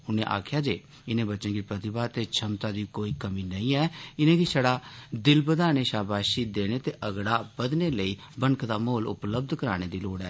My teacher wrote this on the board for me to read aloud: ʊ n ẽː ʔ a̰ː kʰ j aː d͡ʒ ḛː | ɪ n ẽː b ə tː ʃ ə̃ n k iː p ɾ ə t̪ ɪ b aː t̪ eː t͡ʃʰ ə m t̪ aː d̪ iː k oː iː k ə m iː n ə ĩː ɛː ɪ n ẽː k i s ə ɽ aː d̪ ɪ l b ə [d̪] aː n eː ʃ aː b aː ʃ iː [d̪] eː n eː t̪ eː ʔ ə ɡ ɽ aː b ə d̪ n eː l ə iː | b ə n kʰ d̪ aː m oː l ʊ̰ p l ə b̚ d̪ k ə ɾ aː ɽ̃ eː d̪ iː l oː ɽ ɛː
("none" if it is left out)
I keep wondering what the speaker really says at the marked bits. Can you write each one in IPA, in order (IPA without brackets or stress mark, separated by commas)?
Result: d̪, d̪